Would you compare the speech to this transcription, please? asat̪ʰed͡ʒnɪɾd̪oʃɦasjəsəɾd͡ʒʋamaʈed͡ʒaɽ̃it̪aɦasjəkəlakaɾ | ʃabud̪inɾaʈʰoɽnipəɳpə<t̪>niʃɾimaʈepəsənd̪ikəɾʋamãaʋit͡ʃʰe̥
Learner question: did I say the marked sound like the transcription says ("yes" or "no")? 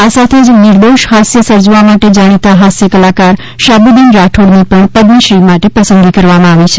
no